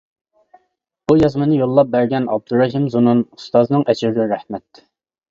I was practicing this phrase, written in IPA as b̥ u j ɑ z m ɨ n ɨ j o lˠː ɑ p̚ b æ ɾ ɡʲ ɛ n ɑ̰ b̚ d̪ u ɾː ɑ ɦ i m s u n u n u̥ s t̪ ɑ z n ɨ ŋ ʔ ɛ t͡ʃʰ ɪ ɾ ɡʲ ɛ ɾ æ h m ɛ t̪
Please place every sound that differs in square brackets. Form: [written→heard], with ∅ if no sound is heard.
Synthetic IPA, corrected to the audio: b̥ u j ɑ z m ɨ n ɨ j o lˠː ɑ p̚ b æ ɾ ɡʲ ɛ n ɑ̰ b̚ d̪ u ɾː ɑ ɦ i m [s→z] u n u n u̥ s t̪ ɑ z n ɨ ŋ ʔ ɛ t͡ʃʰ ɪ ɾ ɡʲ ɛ ɾ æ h m ɛ t̪